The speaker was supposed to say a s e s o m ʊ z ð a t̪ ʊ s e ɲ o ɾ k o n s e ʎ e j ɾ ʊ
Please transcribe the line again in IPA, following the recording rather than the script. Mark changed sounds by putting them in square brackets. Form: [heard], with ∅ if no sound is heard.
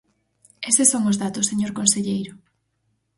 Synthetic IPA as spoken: [e] s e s o [ŋ] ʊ z ð a t̪ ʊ s e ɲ o ɾ k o n s e ʎ e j ɾ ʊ